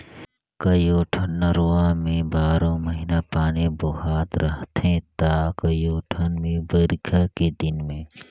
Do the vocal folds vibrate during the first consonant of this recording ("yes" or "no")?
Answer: no